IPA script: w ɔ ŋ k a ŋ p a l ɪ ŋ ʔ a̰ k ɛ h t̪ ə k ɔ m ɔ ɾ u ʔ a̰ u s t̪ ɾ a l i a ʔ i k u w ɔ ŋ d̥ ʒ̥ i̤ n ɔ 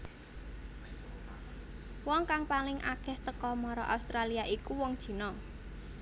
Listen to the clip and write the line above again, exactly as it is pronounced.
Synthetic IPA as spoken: w ɔ ŋ k a ŋ p a l ɪ ŋ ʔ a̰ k ɛ h t̪ ə k ɔ m ɔ ɾ ɔ ʔ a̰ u s t̪ ɾ a l i a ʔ i k u w ɔ ŋ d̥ ʒ̥ i̤ n ɔ